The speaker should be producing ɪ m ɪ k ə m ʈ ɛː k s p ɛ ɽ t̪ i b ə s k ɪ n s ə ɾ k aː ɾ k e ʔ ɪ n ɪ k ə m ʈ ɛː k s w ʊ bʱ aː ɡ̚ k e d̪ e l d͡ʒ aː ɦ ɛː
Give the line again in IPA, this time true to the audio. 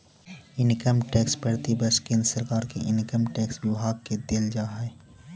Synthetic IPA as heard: ɪ n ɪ k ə m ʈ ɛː k s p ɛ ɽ t̪ i b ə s k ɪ n s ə ɾ k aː ɾ k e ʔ ɪ n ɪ k ə m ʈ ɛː k s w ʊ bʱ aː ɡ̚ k e d̪ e l d͡ʒ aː ɦ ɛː